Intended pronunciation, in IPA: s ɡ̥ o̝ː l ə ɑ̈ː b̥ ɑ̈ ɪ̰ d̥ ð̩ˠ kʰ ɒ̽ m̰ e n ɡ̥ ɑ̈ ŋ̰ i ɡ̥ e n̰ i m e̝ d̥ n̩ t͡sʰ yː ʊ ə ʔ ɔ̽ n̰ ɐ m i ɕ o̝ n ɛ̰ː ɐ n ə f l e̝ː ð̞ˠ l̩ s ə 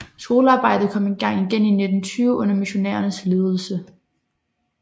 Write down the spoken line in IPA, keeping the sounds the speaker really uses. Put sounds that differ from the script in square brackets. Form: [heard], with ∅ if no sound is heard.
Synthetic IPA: s ɡ̥ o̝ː l ə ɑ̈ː b̥ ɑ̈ ɪ̰ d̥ ð̩ˠ kʰ ɒ̽ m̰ e n ɡ̥ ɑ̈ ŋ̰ i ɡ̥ e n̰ i [n] e̝ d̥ n̩ t͡sʰ yː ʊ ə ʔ ɔ̽ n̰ ɐ m i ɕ o̝ n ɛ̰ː ɐ n ə [s] l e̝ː ð̞ˠ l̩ s ə